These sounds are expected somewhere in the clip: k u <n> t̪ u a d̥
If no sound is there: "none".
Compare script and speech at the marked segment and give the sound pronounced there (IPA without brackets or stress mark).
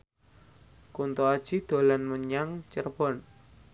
n